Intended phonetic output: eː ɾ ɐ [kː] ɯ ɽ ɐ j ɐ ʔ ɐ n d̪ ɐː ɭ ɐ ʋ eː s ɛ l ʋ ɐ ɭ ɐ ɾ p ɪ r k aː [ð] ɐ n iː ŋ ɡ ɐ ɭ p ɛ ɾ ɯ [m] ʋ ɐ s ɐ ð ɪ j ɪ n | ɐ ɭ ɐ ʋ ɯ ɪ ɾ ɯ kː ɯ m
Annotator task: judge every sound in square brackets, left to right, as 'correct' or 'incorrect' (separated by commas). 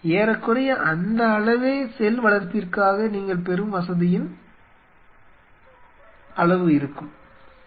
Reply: correct, incorrect, correct